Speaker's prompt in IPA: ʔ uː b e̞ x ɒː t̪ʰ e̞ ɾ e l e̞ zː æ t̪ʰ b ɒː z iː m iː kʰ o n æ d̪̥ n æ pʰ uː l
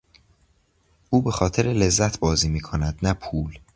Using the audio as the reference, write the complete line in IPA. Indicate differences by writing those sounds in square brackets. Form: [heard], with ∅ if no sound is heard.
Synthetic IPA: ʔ uː b e̞ x ɒː t̪ʰ e̞ ɾ e l e̞ zː æ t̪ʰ b ɒː z iː m iː kʰ o n æ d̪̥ n æ pʰ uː l